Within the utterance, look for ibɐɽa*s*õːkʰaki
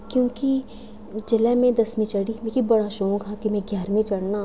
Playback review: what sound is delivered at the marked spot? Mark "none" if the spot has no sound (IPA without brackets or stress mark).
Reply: ʃ